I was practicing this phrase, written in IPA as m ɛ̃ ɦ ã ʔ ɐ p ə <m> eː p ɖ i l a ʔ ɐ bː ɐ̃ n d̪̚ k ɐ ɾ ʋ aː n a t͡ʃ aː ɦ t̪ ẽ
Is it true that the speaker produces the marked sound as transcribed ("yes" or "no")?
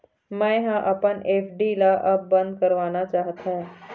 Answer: no